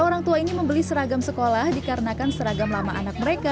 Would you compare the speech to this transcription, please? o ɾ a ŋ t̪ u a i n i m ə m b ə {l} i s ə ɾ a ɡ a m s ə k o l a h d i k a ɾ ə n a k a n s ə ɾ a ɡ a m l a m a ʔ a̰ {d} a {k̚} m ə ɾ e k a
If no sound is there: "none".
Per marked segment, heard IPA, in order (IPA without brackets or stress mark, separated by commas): l, n, k̚